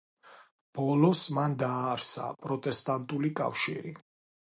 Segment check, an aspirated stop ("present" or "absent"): absent